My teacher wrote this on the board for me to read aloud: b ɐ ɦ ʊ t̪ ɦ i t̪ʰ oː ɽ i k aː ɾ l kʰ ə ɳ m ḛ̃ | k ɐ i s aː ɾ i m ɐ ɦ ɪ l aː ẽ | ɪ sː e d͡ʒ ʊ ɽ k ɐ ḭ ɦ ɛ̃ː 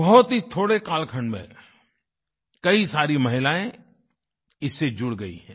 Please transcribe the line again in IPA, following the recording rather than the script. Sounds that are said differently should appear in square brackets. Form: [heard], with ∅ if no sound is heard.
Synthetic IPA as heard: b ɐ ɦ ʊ t̪ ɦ i t̪ʰ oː ɽ [e] k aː [∅] l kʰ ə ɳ m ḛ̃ | k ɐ i s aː ɾ i m ɐ ɦ ɪ l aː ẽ | ɪ sː e d͡ʒ ʊ ɽ [ɡ] ɐ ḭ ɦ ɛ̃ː